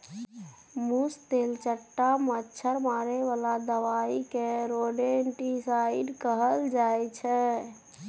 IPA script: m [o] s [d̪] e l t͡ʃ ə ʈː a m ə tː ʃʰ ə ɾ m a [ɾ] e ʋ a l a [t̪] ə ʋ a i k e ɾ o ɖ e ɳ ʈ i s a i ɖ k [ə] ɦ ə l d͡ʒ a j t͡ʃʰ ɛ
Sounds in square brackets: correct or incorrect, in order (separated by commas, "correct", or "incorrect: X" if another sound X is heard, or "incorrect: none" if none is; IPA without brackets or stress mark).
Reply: incorrect: u, incorrect: t̪, correct, incorrect: d̪, correct